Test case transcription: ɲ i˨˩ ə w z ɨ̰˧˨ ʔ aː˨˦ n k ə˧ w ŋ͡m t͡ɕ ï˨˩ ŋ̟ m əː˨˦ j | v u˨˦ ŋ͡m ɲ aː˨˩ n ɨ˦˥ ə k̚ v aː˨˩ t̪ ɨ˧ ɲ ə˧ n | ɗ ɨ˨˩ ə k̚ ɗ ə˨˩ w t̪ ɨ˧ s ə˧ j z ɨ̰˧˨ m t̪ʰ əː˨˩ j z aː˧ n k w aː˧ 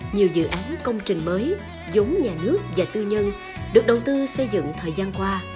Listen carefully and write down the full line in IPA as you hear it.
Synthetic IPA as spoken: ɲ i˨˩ ə w z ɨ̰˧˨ ʔ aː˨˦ n k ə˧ w ŋ͡m t͡ɕ ï˨˩ ŋ̟ m əː˨˦ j | z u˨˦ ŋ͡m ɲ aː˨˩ n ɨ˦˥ ə k̚ v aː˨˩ t̪ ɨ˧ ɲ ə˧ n | ɗ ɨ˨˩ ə k̚ ɗ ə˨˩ w t̪ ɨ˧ s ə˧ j z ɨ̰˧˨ ŋ t̪ʰ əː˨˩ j z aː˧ n k w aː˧

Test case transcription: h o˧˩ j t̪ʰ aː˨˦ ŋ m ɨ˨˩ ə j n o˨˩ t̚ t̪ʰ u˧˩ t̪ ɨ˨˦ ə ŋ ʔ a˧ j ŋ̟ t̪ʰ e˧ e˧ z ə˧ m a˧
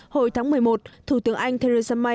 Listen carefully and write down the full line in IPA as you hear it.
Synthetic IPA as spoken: h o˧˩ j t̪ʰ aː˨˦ ŋ m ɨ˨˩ ə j m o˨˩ t̚ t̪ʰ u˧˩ t̪ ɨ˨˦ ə ŋ ʔ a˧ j ŋ̟ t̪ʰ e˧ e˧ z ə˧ m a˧

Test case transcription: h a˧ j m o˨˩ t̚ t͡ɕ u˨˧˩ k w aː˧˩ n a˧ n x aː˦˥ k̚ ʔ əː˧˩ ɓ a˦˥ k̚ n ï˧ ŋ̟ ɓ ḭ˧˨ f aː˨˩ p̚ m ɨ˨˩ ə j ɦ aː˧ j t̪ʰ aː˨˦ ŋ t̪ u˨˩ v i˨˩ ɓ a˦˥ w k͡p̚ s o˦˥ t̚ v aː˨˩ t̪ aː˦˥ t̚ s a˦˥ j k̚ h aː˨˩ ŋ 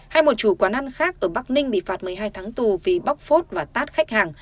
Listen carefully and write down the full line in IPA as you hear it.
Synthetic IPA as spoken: h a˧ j m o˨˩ t̚ t͡ɕ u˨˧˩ k w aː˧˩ n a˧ n x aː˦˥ k̚ ʔ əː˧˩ ɓ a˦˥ k̚ n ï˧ ŋ̟ ɓ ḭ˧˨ f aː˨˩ t̚ m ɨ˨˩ ə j ɦ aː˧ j t̪ʰ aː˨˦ ŋ t̪ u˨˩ v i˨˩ ɓ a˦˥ w k͡p̚ f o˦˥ t̚ v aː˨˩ t̪ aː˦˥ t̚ x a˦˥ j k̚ h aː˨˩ ŋ

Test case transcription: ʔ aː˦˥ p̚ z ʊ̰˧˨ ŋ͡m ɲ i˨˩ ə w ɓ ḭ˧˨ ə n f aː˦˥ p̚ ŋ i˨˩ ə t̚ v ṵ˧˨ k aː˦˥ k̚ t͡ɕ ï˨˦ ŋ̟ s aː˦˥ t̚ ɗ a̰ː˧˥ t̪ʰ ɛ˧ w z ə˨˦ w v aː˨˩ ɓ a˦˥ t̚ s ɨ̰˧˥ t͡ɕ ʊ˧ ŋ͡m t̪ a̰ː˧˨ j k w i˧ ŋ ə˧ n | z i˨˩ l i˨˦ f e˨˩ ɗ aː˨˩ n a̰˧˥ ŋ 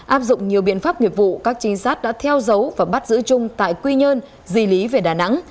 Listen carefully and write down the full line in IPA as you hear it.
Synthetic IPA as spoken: ʔ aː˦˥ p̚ z ʊ̰˧˨ ŋ͡m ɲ i˨˩ ə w ɓ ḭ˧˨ ə n f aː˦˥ p̚ ŋ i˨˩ ə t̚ v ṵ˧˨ k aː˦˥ k̚ t͡ɕ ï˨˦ ŋ̟ s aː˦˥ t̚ ɗ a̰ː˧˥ t̪ʰ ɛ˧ w z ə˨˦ w v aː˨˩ ɓ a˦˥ t̚ z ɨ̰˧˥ t͡ɕ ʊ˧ ŋ͡m t̪ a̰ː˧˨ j k w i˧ ɲ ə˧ n | z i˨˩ l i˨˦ v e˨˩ ɗ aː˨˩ n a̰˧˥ ŋ

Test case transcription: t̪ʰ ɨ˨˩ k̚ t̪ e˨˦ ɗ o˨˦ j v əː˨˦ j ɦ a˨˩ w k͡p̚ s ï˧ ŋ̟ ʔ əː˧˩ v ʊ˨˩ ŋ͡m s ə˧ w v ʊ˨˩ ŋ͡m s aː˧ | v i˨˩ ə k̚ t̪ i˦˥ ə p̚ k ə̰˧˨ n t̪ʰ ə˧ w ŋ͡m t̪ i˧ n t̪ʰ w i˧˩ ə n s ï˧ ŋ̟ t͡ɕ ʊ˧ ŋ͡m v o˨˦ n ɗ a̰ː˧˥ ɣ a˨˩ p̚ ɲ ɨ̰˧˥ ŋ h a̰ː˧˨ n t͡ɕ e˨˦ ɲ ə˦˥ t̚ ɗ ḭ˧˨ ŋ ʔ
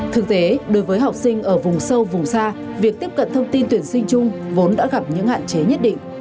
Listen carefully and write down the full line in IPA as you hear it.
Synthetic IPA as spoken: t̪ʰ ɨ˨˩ k̚ t̪ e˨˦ ɗ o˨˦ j v əː˨˦ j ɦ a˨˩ w k͡p̚ s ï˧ ŋ̟ ʔ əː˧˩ v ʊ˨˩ ŋ͡m s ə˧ w v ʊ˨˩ ŋ͡m s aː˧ | v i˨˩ ə k̚ t̪ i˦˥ ə p̚ k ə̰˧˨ n t̪ʰ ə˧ w ŋ͡m t̪ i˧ n t̪ w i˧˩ ə n s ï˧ ŋ̟ t͡ɕ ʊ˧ ŋ͡m v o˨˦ n ɗ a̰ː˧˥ ɣ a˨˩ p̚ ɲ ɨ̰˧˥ ŋ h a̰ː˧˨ n t͡ɕ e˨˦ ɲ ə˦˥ t̚ ɗ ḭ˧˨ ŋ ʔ

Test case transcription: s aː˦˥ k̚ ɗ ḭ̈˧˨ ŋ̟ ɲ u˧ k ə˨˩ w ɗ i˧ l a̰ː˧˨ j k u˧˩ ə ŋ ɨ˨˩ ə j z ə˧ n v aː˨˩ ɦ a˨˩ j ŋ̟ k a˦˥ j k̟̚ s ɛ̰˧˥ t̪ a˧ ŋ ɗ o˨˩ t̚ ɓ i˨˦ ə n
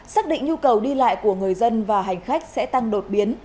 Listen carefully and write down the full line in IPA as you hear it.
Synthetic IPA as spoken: s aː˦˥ k̚ ɗ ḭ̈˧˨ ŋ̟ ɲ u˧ k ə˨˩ w ɗ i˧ l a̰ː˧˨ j k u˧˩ ə ŋ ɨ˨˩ ə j z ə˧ n v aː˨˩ ɦ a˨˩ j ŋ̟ x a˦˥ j k̟̚ s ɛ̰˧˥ t̪ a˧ ŋ ɗ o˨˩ t̚ ɓ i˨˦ ə n

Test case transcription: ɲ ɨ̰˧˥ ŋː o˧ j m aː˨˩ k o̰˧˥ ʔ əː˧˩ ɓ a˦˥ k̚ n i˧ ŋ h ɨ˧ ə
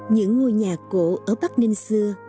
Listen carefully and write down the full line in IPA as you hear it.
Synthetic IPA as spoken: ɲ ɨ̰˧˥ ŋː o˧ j ɲ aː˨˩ k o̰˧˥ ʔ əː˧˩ ɓ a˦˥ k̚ n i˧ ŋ s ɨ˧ ə

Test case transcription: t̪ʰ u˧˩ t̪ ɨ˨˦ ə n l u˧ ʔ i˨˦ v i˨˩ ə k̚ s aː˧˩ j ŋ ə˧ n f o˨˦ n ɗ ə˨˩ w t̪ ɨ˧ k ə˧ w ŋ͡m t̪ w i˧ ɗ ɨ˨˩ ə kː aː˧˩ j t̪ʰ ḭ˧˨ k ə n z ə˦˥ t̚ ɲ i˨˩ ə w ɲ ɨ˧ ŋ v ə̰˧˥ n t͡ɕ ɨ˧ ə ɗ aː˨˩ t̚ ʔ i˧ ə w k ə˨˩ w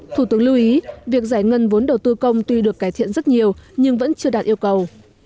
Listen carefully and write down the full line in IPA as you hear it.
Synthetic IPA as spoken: t̪ʰ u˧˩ t̪ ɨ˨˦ ə ŋ l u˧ ʔ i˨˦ v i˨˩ ə k̚ z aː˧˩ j ŋ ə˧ n v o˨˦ n ɗ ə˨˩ w t̪ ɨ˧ k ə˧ w ŋ͡m t̪ w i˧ ɗ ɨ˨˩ ə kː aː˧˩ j t̪ʰ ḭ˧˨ ə n z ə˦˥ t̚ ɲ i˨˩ ə w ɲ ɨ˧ ŋ v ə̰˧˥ n t͡ɕ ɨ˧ ə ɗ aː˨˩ t̚ ʔ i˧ ə w k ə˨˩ w

